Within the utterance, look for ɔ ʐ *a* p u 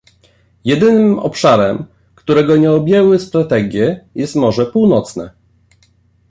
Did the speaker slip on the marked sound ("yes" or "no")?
yes